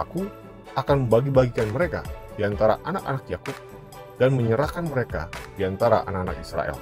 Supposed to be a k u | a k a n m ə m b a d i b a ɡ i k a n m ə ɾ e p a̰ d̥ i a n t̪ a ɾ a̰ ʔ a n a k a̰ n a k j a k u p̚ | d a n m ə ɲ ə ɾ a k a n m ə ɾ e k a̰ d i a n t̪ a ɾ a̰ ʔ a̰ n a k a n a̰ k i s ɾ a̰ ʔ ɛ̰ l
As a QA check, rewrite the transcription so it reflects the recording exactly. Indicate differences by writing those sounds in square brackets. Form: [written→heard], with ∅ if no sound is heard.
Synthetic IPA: a k u | a k a n m ə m b a [d→ɡ] i b a ɡ i k a n m ə ɾ e [p→k] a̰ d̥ i a n t̪ a ɾ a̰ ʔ a n a k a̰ n a k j a k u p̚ | d a n m ə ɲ ə ɾ a k a n m ə ɾ e k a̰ d i a n t̪ a ɾ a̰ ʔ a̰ n a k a n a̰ k i s ɾ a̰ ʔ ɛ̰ l

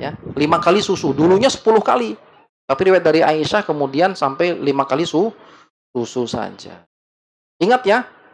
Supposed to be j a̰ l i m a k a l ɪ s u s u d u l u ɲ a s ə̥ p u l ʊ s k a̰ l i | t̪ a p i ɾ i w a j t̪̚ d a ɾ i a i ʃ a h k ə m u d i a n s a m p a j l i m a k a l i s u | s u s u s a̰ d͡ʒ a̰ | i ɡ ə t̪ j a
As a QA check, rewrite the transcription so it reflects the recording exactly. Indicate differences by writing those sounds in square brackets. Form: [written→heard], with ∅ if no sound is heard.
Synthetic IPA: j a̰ l i m a k a l [ɪ→i] s u s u d u l u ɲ a s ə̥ p u l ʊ [s→h] k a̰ l i | t̪ a p i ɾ i w a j t̪̚ d a ɾ i a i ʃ a h k ə m u d i a n s a m p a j l i m a k a l i s u | s u s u s a̰ d͡ʒ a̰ | i [ɡ→ŋ] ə t̪ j a

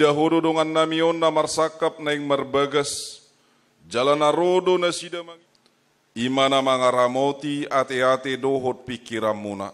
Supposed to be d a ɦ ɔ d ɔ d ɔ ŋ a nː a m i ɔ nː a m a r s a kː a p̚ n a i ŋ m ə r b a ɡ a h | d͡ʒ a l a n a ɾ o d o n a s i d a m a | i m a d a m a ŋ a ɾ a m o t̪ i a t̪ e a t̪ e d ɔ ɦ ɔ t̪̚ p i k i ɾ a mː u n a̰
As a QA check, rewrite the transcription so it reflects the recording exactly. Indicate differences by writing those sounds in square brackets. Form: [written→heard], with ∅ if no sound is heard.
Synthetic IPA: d a ɦ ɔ d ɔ d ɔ ŋ a nː a m i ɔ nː a m a r s a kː a p̚ n a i ŋ m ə r b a ɡ a [h→s] | d͡ʒ a l a n a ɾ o d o n a s i d a m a | i m a [d→n] a m a ŋ a ɾ a m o t̪ i a t̪ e a t̪ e d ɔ ɦ ɔ t̪̚ p i k i ɾ a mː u n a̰

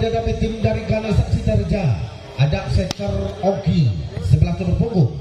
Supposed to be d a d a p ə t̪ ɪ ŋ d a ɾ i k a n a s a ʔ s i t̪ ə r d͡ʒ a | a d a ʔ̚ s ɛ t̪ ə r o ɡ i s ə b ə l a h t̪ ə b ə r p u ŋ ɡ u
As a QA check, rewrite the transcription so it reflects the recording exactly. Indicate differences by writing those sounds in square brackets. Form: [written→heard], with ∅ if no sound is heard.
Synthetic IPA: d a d a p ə t̪ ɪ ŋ d a ɾ i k a n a s a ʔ s i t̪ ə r d͡ʒ a | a d a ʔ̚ s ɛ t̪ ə r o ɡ i s ə b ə l a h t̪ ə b ə r p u ŋ ɡ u

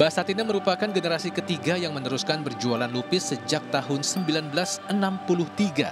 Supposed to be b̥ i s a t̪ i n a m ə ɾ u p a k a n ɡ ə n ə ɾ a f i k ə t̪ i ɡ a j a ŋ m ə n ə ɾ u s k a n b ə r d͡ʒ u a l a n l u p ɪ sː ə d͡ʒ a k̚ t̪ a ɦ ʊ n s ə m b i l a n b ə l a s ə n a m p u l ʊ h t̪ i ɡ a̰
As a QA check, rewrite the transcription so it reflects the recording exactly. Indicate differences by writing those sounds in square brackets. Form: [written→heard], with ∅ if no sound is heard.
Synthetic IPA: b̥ [i→a] s a t̪ i n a m ə ɾ u p a k a n ɡ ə n ə ɾ a [f→s] i k ə t̪ i ɡ a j a ŋ m ə n ə ɾ u s k a n b ə r d͡ʒ u a l a n l u p ɪ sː ə d͡ʒ a k̚ t̪ a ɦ ʊ n s ə m b i l a n b ə l a s ə n a m p u l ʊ h t̪ i ɡ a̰

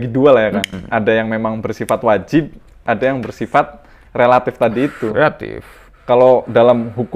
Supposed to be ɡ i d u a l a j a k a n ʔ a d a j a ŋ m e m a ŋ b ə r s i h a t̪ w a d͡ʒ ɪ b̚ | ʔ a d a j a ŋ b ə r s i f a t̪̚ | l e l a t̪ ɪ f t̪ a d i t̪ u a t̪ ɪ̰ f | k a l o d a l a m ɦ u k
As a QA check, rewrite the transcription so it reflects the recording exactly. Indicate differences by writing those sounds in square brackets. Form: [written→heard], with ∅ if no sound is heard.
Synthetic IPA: ɡ i d u a l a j a k a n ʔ a d a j a ŋ m e m a ŋ b ə r s i [h→f] a t̪ w a d͡ʒ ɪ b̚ | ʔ a d a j a ŋ b ə r s i f a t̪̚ | [l→r] e l a t̪ ɪ f t̪ a d [i→iː] t̪ u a t̪ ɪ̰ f | k a l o d a l a m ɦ u k

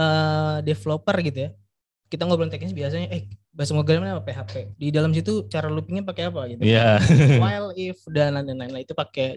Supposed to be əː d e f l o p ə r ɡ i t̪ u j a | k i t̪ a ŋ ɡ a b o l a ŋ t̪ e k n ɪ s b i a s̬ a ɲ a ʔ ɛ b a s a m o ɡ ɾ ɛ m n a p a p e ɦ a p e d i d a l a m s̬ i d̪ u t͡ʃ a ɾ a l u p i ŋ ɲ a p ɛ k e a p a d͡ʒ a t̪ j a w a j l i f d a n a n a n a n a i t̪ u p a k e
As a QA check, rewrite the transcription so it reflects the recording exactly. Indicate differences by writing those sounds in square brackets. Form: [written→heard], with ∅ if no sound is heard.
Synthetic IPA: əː d e f l o p ə r ɡ i t̪ u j a | k i t̪ a ŋ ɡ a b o l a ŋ t̪ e k n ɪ s b i a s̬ a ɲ a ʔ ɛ b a s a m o ɡ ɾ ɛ m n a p a p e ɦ a p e d i d a l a m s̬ i [d̪→t̪] u t͡ʃ a ɾ a l u p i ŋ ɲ a p [ɛ→a] k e a p a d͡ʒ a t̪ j a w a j l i f d a n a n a n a n a i t̪ u p a k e

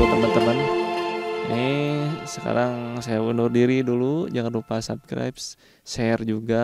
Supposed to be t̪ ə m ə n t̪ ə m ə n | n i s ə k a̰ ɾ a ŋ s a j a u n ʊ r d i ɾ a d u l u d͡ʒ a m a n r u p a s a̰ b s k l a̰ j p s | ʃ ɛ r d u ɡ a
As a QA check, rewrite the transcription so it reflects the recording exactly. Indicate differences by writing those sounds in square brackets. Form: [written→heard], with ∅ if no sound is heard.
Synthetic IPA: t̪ ə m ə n t̪ ə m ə n | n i s ə k a̰ ɾ a ŋ s a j a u n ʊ r d i ɾ [a→i] d u l u d͡ʒ a [m→ŋ] a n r u p a s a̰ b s k [l→ɾ] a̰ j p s | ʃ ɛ r [d→d͡ʒ] u ɡ a

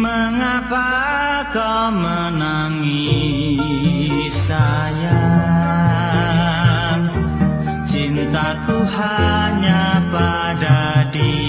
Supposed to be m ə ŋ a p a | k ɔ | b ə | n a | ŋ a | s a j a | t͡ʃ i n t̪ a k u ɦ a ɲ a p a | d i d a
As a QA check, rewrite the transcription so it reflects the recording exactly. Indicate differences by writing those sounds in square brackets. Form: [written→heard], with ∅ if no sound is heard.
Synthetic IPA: m ə ŋ a p a | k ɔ | [b→m] ə | n a | ŋ [a→i] | s a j a | t͡ʃ i n t̪ a k u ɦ a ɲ a p a | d [i→a] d [a→i]

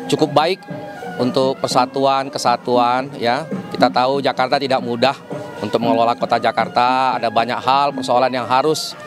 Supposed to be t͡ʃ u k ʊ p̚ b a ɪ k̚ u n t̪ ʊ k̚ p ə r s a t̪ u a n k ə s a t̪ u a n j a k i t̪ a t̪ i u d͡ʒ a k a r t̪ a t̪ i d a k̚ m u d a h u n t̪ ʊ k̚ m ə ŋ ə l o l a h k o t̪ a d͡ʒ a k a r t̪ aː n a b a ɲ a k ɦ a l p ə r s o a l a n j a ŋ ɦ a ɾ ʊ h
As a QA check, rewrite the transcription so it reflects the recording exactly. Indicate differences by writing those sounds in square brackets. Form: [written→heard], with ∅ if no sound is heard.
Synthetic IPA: t͡ʃ u k ʊ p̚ b a ɪ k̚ u n t̪ ʊ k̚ p ə r s a t̪ u a n k ə s a t̪ u a n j a k i t̪ a t̪ [i→a] u d͡ʒ a k a r t̪ a t̪ i d a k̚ m u d a h u n t̪ ʊ k̚ m ə ŋ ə l o l a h k o t̪ a d͡ʒ a k a r t̪ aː [n→d] a b a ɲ a k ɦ a l p ə r s o a l a n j a ŋ ɦ a ɾ ʊ [h→s]

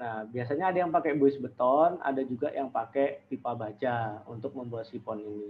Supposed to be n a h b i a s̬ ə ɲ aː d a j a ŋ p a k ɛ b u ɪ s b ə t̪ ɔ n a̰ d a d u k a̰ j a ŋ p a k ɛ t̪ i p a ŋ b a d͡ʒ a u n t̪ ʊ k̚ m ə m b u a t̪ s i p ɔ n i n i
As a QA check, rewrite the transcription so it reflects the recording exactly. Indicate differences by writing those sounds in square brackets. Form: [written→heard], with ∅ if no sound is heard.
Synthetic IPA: n a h b i a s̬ [ə→a] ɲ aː d a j a ŋ p a k ɛ b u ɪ s b ə t̪ ɔ n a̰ d a [d→d͡ʒ] u [k→ɡ] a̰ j a ŋ p a k ɛ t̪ i p a [ŋ→∅] b a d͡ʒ a u n t̪ ʊ k̚ m ə m b u a t̪ s i p ɔ n i n i

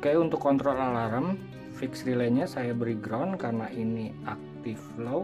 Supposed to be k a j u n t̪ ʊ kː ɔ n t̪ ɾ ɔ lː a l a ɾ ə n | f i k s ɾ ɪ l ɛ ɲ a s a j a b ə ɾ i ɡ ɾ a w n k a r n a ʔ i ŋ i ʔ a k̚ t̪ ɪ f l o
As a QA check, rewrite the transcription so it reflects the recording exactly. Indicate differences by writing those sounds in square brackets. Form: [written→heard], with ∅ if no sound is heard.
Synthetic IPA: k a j u n t̪ ʊ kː ɔ n t̪ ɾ ɔ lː a l a ɾ ə [n→m] | f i k s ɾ [ɪ→i] l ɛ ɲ a s a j a b ə ɾ i ɡ ɾ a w n k a r n a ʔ i [ŋ→n] i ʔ a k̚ t̪ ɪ f l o

